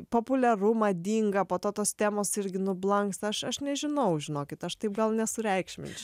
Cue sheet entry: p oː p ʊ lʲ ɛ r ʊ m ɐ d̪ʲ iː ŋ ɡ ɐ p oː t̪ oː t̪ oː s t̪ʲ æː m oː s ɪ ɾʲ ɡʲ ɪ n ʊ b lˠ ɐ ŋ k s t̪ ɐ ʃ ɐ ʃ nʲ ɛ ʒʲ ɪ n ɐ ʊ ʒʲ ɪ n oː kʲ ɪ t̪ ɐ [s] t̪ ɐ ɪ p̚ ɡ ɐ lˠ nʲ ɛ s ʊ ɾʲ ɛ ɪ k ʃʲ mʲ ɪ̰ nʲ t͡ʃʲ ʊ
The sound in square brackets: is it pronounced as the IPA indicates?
no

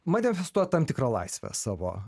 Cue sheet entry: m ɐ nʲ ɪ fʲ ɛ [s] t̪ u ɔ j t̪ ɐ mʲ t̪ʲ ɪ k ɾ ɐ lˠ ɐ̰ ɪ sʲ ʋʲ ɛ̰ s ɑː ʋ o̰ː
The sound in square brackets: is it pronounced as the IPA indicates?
yes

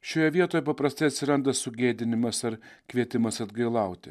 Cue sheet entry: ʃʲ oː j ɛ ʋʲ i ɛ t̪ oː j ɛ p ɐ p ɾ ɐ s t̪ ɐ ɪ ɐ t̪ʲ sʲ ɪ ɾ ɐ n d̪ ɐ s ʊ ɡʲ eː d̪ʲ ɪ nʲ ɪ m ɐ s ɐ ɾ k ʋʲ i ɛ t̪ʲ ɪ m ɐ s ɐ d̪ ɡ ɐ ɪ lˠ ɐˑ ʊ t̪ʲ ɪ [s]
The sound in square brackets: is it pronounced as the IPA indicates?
no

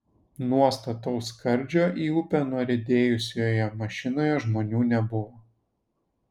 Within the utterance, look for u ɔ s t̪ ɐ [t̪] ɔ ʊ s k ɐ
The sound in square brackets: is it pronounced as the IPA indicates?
yes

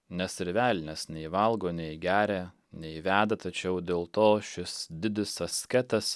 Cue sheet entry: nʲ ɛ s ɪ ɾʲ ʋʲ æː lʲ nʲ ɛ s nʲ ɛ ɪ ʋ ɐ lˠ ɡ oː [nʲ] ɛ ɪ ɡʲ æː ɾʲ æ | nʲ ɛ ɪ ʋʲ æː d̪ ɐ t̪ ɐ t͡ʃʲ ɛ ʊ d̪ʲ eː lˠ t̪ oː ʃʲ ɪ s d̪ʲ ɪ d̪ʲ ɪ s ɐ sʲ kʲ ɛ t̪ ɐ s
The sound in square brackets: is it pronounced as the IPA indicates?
yes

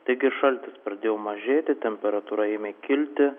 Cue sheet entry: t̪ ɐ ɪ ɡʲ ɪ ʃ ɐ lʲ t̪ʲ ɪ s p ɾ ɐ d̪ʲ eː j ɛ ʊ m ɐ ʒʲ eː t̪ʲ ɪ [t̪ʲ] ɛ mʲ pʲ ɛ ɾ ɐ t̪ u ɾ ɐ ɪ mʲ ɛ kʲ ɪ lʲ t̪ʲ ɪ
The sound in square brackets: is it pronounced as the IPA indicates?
yes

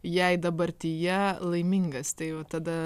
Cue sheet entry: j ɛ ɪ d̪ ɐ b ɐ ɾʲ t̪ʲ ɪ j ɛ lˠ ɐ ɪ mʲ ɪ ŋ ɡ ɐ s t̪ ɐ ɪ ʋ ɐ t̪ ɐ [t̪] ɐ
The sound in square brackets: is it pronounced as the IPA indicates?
no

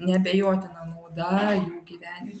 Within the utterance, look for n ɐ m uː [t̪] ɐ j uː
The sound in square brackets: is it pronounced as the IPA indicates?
no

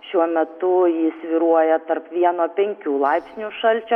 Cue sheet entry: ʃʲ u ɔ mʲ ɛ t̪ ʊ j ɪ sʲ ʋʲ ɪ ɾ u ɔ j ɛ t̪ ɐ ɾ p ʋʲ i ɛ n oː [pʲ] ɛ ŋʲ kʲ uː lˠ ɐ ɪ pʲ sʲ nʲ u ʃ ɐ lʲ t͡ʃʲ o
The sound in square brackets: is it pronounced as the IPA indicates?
yes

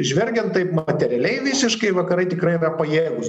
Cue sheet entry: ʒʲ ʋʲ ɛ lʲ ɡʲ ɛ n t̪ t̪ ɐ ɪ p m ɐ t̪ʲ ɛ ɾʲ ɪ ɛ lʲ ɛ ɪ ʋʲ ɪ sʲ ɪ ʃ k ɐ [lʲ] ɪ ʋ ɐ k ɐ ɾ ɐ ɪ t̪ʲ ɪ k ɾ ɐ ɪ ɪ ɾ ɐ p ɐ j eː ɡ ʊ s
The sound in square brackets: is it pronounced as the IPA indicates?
no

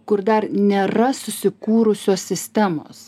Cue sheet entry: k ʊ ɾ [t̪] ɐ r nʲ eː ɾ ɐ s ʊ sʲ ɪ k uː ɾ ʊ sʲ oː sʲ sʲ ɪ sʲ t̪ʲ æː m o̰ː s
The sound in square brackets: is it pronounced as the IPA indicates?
no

